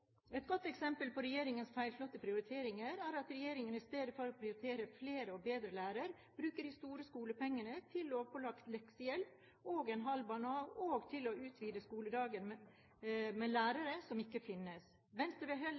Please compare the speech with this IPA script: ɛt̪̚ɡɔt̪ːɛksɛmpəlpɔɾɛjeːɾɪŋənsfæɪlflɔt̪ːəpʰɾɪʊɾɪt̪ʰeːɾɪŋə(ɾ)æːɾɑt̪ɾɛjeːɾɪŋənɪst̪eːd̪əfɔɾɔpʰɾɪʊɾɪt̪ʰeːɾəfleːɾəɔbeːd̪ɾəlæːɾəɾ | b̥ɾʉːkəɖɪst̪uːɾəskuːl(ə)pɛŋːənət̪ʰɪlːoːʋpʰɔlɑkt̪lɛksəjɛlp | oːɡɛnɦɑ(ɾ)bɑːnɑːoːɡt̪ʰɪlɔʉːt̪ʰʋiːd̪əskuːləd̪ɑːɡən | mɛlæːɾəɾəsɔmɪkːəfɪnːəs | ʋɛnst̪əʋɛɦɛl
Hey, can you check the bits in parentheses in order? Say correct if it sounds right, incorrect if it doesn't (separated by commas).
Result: correct, correct, incorrect